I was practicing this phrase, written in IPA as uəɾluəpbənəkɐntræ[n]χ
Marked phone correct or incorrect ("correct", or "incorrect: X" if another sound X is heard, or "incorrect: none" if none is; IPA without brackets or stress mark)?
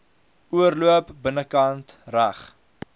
incorrect: none